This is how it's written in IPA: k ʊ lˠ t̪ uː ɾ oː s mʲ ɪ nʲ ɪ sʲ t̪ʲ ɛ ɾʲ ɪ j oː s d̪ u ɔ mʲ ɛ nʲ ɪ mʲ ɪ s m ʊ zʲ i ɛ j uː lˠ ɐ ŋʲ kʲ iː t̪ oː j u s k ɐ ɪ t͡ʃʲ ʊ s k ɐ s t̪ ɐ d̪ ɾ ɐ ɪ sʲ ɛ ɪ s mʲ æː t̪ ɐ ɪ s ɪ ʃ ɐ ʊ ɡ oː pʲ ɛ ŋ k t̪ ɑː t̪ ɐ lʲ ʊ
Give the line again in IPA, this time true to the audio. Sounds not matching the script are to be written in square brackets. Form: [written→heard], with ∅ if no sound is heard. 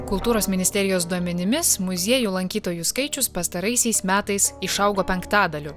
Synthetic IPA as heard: k ʊ lˠ t̪ uː ɾ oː s mʲ ɪ nʲ ɪ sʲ t̪ʲ ɛ ɾʲ ɪ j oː s d̪ u ɔ mʲ ɛ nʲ ɪ mʲ ɪ s m ʊ zʲ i ɛ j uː lˠ ɐ ŋʲ kʲ iː t̪ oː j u s k ɐ ɪ t͡ʃʲ ʊ s [k→p] ɐ s t̪ ɐ [d̪→∅] ɾ ɐ ɪ sʲ ɛ ɪ s mʲ æː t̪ ɐ ɪ s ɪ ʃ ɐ ʊ ɡ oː pʲ ɛ ŋ k t̪ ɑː [t̪→d̪] ɐ lʲ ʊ